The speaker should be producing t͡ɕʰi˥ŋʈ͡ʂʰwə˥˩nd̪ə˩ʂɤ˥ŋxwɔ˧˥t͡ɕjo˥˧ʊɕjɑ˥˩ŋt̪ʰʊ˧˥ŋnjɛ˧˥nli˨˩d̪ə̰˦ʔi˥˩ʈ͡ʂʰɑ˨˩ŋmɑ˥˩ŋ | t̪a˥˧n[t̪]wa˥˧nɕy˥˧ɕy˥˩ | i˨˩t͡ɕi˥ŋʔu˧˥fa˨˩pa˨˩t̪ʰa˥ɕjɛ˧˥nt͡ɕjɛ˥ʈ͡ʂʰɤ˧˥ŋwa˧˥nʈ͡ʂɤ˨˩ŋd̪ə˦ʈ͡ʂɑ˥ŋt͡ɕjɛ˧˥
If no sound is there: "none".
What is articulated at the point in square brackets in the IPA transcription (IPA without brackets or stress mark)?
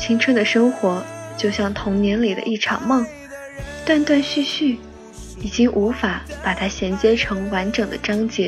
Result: t̪